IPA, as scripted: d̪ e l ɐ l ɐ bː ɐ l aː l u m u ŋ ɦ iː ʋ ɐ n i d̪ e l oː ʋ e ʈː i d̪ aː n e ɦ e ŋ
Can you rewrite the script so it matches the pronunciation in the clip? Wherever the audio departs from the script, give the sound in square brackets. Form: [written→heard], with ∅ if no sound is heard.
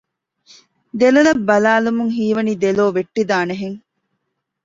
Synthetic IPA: d̪ e l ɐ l ɐ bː ɐ l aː l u m u ŋ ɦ iː ʋ ɐ n i d̪ e l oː ʋ e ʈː i d̪ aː n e ɦ e ŋ